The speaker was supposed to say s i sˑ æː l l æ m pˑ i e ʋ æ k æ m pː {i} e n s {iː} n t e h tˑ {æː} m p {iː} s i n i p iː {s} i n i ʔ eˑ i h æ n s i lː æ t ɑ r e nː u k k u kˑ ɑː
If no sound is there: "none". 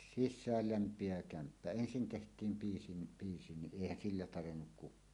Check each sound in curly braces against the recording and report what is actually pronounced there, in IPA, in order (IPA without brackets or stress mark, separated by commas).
æ, i, iː, iː, s